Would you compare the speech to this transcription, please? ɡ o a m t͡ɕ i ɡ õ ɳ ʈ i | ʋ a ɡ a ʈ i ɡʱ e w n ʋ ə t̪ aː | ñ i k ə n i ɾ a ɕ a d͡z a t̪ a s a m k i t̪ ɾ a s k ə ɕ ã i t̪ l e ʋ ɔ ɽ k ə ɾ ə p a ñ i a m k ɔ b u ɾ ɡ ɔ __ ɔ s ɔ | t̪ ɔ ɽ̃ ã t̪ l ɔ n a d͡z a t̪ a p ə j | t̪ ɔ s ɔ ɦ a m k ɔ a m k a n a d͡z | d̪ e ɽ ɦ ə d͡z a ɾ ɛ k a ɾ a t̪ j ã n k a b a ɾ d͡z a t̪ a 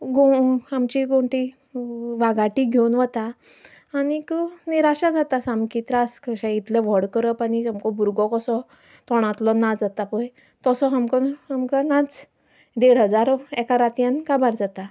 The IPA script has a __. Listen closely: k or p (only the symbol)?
k